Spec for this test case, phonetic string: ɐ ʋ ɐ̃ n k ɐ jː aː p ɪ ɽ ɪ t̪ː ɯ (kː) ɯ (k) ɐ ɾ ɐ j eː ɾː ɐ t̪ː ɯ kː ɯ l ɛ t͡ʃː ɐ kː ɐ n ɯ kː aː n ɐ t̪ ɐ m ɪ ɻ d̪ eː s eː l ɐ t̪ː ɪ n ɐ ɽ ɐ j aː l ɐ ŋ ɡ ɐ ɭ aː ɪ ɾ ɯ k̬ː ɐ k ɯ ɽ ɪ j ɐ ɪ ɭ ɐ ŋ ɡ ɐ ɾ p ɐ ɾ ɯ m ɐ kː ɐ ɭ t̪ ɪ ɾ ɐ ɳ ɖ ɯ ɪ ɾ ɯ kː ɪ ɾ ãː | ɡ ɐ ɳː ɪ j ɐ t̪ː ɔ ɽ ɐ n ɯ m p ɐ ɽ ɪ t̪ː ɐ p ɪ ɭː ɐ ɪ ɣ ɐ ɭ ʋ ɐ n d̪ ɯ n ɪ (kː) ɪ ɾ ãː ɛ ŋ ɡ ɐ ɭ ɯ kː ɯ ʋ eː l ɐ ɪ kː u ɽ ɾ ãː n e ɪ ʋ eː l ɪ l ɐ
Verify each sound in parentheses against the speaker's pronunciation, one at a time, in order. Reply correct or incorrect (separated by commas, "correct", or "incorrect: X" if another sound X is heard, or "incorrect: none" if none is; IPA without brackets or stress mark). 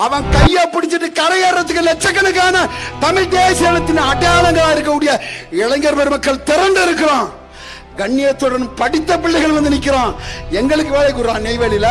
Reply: incorrect: ʈː, correct, correct